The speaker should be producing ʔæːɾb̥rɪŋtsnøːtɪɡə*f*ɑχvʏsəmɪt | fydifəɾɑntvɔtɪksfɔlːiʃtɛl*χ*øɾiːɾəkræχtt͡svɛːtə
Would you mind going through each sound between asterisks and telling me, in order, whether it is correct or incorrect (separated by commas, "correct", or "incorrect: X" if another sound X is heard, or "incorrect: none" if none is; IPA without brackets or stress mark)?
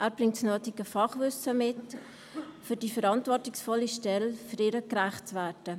correct, incorrect: f